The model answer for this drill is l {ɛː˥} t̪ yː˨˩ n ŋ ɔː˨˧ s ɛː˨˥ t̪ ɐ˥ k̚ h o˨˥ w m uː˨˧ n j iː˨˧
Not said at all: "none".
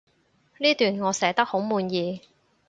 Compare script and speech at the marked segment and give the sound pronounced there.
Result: iː˥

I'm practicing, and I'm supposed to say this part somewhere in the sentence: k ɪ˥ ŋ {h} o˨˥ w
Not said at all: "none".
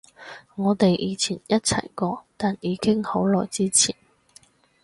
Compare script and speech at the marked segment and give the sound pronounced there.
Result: h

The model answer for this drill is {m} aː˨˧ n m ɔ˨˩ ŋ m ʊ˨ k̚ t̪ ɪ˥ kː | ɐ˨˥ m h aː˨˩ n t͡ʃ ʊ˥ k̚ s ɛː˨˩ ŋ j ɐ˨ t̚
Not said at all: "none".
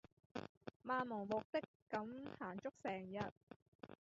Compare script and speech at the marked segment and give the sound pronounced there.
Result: m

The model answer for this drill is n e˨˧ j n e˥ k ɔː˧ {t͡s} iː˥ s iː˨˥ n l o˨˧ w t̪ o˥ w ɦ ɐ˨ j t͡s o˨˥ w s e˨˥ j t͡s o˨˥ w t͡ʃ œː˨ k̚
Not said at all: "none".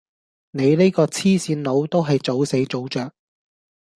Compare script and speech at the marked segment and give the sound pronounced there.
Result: t͡sʰ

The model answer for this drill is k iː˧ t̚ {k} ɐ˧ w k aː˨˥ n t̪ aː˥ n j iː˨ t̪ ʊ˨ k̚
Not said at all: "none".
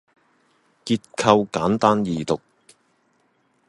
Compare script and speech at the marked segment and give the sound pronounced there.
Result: kʰ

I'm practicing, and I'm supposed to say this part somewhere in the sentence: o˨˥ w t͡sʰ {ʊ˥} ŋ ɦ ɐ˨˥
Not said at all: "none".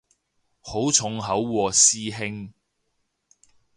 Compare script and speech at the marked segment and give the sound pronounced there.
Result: ʊ˨˥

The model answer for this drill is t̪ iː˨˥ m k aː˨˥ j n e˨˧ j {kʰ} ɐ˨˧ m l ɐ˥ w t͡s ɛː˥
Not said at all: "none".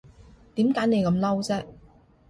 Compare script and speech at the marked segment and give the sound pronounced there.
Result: k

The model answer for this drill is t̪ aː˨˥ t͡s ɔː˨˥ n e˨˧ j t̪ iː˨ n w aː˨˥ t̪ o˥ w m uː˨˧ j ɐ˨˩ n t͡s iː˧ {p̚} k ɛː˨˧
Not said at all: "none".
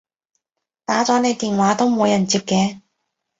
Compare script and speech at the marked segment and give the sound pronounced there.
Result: p̚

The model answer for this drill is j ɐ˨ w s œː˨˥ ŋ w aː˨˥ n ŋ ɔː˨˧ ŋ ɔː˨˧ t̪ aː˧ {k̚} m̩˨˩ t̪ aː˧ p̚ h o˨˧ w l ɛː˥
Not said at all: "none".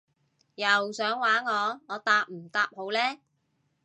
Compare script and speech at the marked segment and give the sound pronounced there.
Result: p̚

